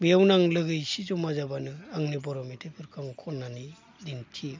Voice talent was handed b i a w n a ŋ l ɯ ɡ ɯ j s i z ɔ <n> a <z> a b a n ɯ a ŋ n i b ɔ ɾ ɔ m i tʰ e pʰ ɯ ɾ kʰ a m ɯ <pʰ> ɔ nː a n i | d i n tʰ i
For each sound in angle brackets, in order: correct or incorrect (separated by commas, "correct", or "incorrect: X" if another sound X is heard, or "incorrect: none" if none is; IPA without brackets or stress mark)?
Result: incorrect: m, correct, incorrect: kʰ